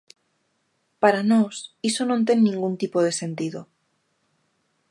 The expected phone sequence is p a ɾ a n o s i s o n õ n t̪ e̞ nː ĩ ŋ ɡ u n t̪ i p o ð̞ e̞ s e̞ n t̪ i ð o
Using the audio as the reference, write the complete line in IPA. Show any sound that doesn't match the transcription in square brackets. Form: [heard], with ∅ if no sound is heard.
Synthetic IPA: p a ɾ a n o s i s o n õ n t̪ e̞ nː ĩ ŋ ɡ u n t̪ i p o ð̞ e̞ s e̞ n t̪ i ð o